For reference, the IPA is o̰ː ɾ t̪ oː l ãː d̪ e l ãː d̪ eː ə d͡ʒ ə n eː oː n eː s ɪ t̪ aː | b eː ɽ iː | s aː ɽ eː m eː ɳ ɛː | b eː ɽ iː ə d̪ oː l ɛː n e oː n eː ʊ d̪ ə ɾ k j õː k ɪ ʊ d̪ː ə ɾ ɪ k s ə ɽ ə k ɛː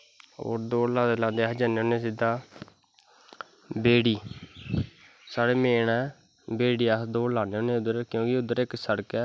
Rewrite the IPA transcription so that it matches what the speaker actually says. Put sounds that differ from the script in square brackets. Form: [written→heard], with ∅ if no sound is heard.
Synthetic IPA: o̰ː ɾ [t̪→d̪] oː l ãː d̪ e l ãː d̪ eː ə d͡ʒ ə n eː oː n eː s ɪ [t̪→d̪] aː | b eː ɽ iː | s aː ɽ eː m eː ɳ ɛː | b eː ɽ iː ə d̪ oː l [ɛː→aː] n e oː n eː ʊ d̪ ə ɾ k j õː k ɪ ʊ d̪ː ə ɾ ɪ k s ə ɽ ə k ɛː